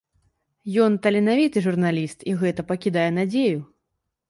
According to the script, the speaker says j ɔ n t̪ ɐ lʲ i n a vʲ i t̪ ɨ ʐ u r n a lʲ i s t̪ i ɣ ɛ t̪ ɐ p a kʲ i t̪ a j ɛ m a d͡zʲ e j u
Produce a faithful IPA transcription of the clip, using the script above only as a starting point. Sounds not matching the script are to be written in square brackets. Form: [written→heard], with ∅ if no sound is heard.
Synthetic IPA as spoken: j ɔ n t̪ ɐ lʲ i n a vʲ i t̪ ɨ ʐ u r n a lʲ i s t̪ i ɣ ɛ t̪ ɐ p [a→ɐ] kʲ i [t̪→d̪] a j ɛ [m→n] a d͡zʲ e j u